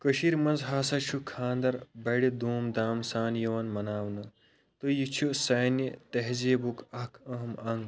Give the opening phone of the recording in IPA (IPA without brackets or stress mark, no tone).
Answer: k